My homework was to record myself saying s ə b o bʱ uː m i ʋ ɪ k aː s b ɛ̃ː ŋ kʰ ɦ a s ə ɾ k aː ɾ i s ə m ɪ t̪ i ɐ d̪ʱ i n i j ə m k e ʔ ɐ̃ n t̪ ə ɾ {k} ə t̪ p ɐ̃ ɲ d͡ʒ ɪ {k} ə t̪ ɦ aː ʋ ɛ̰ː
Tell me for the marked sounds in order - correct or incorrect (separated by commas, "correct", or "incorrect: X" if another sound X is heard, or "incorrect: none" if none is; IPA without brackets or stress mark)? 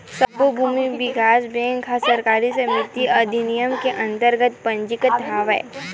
incorrect: ɡ, correct